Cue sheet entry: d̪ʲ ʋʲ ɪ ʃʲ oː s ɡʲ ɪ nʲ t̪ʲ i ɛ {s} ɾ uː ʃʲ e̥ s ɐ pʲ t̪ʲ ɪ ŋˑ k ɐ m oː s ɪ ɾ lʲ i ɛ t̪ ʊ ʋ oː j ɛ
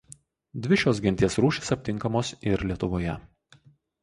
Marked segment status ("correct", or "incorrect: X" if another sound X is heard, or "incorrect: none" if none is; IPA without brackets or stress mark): correct